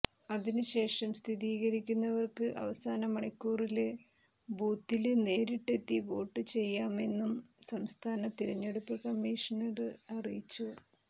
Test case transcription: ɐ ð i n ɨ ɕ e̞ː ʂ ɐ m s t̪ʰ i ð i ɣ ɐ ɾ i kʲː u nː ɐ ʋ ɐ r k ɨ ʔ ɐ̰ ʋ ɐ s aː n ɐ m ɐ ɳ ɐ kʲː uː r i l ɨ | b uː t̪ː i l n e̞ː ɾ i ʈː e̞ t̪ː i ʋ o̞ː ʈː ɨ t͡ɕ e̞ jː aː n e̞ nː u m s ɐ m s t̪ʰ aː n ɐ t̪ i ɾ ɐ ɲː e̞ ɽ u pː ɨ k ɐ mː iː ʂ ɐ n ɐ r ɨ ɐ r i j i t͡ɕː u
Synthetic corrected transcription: ɐ ð i n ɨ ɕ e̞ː ʂ ɐ m s t̪ʰ i ð iː ɣ ɐ ɾ i kʲː u nː ɐ ʋ ɐ r k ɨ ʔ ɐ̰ ʋ ɐ s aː n ɐ m ɐ ɳ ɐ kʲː uː r i l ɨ | b uː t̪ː i l n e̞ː ɾ i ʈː e̞ t̪ː i ʋ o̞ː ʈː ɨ t͡ɕ e̞ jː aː m e̞ nː u m s ɐ m s t̪ʰ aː n ɐ t̪ i ɾ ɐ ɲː e̞ ɽ u pː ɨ k ɐ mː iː ʂ ɐ n ɐ r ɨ ɐ r i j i t͡ɕː u

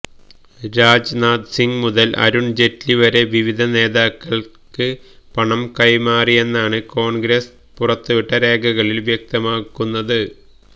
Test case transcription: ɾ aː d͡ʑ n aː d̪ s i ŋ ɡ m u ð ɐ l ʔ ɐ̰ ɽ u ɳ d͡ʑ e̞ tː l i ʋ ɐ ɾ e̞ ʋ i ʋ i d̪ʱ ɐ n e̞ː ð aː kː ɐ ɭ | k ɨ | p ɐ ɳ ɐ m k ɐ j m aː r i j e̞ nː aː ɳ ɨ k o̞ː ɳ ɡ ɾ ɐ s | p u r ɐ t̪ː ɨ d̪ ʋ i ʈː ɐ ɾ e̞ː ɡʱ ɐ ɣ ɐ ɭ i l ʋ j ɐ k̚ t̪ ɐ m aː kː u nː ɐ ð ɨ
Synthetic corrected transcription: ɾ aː d͡ʑ n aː d̪ s i ŋ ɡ m u ð ɐ l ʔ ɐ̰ ɾ u ɳ d͡ʑ e̞ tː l i ʋ ɐ ɾ e̞ ʋ i ʋ i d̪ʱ ɐ n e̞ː ð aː kː ɐ ɭ | k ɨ | p ɐ ɳ ɐ m k ɐ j m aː r i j e̞ nː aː ɳ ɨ k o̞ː ɳ ɡ ɾ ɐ s | p u r ɐ t̪ː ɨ ʋ i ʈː ɐ ɾ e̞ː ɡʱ ɐ ɣ ɐ ɭ i l ʋ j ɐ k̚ t̪ ɐ m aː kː u nː ɐ ð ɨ

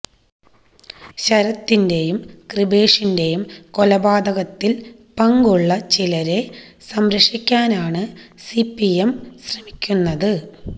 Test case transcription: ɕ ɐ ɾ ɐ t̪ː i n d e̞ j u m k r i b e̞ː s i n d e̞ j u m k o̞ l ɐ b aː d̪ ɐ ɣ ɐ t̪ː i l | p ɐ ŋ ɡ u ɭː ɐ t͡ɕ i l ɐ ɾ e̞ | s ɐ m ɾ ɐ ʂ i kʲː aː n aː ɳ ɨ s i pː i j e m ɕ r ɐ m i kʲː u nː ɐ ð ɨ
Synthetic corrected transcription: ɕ ɐ ɾ ɐ t̪ː i n d e̞ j u m k r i b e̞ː ʂ i n d e̞ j u m k o̞ l ɐ b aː d̪ ɐ ɣ ɐ t̪ː i l | p ɐ ŋ ɡ u ɭː ɐ t͡ɕ i l ɐ ɾ e̞ | s ɐ m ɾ ɐ ʂ i kʲː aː n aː ɳ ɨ s i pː i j e m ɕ r ɐ m i kʲː u nː ɐ ð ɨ

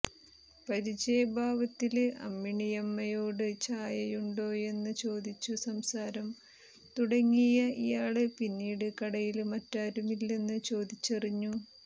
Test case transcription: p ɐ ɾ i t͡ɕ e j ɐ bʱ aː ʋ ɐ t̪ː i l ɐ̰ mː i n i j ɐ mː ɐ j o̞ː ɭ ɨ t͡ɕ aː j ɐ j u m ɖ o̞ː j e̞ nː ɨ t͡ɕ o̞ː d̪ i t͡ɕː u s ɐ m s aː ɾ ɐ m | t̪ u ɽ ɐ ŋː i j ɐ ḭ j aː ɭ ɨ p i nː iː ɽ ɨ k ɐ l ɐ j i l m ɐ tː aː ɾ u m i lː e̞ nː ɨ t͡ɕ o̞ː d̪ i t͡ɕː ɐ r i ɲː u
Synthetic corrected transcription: p ɐ ɾ i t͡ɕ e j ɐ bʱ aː ʋ ɐ t̪ː i l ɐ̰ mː i ɳ i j ɐ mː ɐ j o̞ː ɽ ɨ t͡ɕ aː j ɐ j u ɳ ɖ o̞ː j e̞ nː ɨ t͡ɕ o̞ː d̪ i t͡ɕː u s ɐ m s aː ɾ ɐ m | t̪ u ɽ ɐ ŋː i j ɐ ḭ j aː ɭ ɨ p i nː iː ɽ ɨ k ɐ ɽ ɐ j i l m ɐ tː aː ɾ u m i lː e̞ nː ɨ t͡ɕ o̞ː d̪ i t͡ɕː ɐ r i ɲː u

